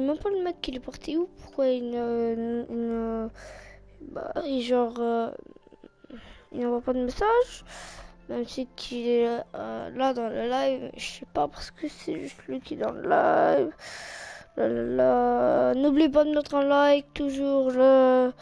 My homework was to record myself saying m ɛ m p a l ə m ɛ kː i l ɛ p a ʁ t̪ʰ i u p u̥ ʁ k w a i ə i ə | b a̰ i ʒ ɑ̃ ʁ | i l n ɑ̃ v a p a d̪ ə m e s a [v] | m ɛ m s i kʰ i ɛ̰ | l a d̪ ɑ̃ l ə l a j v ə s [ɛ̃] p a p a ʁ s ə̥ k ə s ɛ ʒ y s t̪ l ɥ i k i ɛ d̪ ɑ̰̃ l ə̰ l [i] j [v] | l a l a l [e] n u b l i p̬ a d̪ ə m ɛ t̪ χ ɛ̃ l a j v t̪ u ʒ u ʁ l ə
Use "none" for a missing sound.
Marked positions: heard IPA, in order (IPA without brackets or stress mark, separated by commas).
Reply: ʒ, ɛ, a, v, a